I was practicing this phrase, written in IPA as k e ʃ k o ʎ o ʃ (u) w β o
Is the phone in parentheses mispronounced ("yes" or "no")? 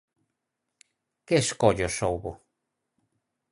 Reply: yes